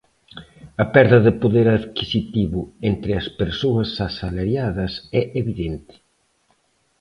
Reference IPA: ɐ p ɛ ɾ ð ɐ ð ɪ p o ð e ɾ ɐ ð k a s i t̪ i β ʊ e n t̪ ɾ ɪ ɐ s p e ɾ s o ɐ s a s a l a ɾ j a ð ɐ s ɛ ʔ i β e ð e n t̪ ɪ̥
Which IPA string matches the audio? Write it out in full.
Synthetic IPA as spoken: ɐ p ɛ ɾ ð ɐ ð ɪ p o ð e ɾ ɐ ð k i s i t̪ i β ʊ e n t̪ ɾ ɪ ɐ s p e ɾ s o ɐ s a s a l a ɾ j a ð ɐ s ɛ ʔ e β i ð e n t̪ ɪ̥